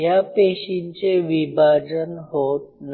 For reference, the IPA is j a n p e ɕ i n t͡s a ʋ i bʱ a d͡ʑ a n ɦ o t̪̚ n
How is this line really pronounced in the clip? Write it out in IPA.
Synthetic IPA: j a p e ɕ i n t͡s e ʋ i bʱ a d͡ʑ ə n ɦ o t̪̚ n